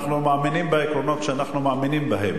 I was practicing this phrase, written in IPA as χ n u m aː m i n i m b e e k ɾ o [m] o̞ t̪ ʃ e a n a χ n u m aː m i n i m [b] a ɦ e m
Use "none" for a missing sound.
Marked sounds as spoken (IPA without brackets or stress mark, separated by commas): n, b